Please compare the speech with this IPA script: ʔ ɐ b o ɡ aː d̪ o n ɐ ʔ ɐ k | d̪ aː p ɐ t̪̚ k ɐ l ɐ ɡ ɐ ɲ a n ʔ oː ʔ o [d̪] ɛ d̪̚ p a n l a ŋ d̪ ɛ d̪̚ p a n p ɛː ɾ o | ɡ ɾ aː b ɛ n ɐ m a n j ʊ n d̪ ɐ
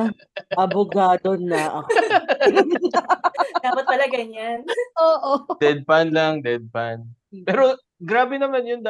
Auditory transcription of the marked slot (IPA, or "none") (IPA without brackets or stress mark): d̪